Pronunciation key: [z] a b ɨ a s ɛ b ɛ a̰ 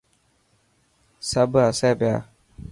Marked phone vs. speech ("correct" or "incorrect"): incorrect